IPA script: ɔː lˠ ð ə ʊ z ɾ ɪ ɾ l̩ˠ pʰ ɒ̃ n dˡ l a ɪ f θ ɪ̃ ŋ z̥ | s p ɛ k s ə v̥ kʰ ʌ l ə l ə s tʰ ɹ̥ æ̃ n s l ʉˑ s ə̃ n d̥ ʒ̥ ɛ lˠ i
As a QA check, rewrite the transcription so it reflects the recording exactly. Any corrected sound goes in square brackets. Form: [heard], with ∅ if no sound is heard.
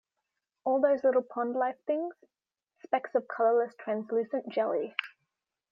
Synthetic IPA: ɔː lˠ ð ə ʊ z [l] ɪ ɾ l̩ˠ pʰ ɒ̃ n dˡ l a ɪ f θ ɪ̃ ŋ z̥ | s p ɛ k s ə v̥ kʰ ʌ l ə l ə s tʰ ɹ̥ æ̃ n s l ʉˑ s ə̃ n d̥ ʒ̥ ɛ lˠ i